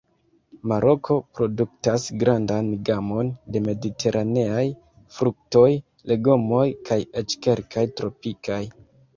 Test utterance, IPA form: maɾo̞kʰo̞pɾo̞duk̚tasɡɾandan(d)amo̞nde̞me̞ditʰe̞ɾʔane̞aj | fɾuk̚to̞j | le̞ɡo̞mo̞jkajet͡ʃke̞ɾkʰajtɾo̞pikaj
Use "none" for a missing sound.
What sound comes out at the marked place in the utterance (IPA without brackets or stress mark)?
ɡ